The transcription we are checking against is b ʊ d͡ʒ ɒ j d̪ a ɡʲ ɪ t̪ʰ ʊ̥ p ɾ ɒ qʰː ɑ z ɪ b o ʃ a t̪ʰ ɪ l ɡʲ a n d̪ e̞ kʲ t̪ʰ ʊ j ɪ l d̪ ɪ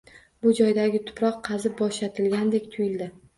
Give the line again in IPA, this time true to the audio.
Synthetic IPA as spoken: b ʊ d͡ʒ ɒ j d̪ a ɡʲ ɪ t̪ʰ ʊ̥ p ɾ ɒ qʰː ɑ z ɪ b ɒ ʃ a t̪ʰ ɪ l ɡʲ a n d̪ e̞ kʲ t̪ʰ ʊ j ɪ l d̪ ɪ